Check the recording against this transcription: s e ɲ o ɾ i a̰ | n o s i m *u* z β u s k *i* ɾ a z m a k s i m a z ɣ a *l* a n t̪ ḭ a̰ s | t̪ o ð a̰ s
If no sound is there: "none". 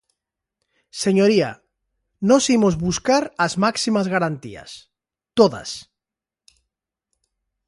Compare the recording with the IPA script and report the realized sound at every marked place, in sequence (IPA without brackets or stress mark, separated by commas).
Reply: o, a, ɾ